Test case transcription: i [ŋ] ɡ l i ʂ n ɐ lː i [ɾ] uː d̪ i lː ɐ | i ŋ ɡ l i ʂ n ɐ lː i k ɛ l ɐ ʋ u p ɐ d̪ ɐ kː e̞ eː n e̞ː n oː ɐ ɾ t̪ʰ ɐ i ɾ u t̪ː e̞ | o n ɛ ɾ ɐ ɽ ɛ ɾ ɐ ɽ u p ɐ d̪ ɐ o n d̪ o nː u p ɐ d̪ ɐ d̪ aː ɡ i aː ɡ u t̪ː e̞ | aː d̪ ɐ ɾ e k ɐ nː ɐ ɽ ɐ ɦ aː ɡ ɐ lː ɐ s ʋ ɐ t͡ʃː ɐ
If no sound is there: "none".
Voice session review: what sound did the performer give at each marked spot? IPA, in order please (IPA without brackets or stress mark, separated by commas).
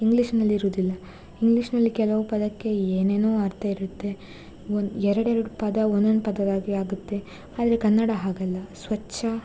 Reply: ŋ, ɾ